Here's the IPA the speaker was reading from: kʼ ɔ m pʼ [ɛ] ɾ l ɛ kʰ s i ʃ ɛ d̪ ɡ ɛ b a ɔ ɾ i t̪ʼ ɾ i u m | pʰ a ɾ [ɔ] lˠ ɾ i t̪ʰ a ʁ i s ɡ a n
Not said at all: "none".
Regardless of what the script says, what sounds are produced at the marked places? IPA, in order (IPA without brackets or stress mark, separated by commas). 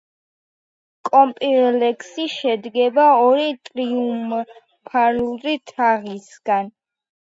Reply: i, u